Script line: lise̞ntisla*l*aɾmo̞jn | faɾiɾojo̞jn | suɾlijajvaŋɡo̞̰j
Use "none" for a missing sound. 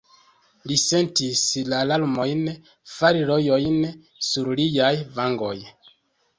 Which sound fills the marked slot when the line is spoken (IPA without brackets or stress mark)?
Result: l